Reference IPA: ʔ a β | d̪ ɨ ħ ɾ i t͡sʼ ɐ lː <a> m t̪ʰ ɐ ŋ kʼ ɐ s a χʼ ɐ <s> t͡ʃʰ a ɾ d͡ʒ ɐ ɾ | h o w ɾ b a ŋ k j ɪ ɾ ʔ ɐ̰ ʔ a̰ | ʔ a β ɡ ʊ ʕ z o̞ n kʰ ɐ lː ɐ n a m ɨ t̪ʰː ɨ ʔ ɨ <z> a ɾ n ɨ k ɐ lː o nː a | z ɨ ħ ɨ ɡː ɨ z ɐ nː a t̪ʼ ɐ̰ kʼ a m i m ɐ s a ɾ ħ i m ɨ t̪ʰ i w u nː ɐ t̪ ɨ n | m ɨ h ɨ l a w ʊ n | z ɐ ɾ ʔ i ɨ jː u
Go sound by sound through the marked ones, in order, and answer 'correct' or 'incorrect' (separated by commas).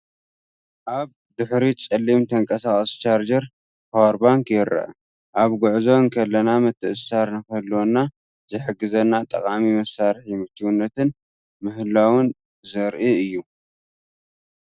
incorrect, correct, incorrect